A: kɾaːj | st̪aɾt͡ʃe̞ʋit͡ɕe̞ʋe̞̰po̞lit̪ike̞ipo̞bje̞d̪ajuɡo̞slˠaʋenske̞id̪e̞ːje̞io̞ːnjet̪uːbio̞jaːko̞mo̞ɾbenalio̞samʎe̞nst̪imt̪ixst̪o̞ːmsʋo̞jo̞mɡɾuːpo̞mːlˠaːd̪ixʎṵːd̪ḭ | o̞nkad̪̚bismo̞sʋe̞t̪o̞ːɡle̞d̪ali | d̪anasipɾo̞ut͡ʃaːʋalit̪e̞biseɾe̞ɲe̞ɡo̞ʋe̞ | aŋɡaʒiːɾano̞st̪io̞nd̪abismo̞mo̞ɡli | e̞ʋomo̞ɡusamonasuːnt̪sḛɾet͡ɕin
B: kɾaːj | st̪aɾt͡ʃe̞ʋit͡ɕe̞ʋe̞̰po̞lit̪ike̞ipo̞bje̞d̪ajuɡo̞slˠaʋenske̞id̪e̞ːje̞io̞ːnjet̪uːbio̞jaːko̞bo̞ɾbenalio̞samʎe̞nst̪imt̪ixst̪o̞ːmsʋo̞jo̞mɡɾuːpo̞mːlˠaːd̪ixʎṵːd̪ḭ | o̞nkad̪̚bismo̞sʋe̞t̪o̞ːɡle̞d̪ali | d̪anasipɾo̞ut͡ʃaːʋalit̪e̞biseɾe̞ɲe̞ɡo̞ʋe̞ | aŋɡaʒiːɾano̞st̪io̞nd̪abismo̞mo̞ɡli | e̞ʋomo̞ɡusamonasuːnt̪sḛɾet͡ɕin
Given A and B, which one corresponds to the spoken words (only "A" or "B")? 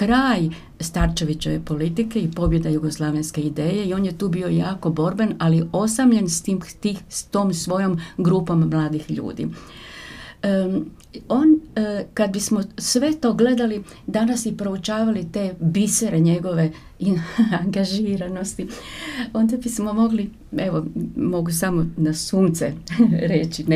B